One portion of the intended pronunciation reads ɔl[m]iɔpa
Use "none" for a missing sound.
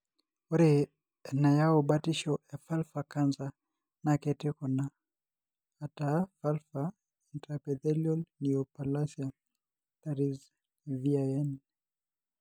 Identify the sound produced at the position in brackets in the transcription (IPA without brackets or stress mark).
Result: n